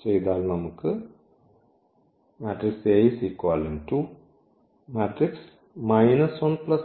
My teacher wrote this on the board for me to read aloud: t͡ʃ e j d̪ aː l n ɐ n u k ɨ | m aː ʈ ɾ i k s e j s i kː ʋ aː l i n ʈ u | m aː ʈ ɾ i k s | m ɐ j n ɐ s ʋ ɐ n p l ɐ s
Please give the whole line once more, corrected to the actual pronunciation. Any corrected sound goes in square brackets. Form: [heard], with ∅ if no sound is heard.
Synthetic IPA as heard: t͡ʃ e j d̪ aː l n ɐ [m] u k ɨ | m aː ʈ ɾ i k s e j s i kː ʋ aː l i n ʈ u | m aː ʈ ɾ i k s | m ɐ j n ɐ s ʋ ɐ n p l ɐ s

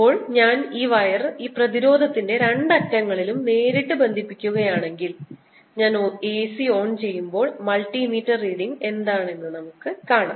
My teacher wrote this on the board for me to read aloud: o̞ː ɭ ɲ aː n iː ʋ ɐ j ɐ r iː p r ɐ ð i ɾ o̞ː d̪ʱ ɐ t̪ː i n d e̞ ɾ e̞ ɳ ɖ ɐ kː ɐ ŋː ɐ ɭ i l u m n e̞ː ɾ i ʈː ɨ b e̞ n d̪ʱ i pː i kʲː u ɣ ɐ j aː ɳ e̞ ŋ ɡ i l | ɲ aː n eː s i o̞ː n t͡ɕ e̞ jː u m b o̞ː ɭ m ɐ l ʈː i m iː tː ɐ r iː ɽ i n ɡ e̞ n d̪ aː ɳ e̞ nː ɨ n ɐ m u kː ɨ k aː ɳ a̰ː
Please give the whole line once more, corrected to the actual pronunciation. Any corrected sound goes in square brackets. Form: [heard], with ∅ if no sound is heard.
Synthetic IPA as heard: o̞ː ɭ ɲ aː n iː ʋ ɐ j ɐ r iː p r ɐ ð i ɾ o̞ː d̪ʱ ɐ t̪ː i n d e̞ ɾ e̞ ɳ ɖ ɐ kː ɐ ŋː ɐ ɭ i l u m n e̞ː ɾ i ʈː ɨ b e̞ n d̪ʱ i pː i kʲː u ɣ ɐ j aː ɳ e̞ ŋ ɡ i l | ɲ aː n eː s i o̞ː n t͡ɕ e̞ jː u m b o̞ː ɭ m ɐ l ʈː i m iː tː ɐ r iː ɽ i [ŋ] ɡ e̞ n d̪ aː ɳ e̞ nː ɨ n ɐ m u kː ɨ k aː ɳ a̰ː

